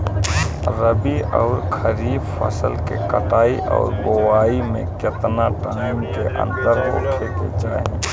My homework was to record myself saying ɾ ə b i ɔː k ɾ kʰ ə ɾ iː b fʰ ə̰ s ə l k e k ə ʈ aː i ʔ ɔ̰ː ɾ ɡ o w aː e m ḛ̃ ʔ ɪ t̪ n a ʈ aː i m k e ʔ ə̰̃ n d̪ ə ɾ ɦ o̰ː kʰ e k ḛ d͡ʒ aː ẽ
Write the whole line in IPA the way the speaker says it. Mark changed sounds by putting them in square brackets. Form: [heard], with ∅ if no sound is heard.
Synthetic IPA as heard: ɾ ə b i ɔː [∅] ɾ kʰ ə ɾ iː b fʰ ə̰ s ə l k e k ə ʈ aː i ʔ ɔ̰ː ɾ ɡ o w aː [i] m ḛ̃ [k] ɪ t̪ n a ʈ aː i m k e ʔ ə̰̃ n d̪ ə ɾ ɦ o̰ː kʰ e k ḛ d͡ʒ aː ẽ